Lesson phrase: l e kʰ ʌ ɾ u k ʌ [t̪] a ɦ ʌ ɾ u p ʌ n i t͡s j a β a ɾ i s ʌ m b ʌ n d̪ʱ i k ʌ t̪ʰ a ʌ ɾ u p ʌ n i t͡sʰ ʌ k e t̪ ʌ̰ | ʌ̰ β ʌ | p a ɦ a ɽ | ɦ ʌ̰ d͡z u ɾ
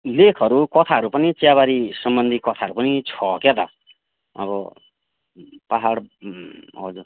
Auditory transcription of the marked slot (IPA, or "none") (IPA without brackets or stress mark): t̪ʰ